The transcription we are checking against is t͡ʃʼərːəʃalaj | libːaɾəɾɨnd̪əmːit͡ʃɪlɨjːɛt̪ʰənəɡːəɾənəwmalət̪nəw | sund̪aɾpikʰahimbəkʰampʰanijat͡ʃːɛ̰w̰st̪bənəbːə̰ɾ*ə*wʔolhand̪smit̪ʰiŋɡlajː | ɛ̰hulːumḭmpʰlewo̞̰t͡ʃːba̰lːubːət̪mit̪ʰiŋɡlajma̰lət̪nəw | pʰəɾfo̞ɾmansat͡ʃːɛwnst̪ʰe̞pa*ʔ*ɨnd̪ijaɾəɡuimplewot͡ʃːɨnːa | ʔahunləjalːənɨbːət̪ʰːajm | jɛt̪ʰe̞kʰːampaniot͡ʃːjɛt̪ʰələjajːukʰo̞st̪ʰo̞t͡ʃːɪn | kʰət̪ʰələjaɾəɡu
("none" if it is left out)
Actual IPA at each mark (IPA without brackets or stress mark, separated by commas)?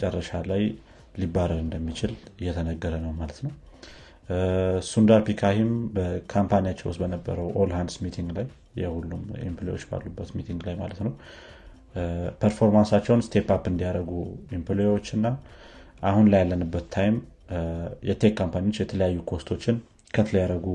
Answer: ə, p